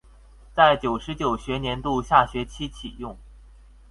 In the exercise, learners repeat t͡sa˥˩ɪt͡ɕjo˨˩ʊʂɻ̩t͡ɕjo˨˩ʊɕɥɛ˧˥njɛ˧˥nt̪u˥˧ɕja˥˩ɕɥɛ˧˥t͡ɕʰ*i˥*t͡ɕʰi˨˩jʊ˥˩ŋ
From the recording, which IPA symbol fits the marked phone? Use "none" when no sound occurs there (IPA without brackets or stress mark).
i˥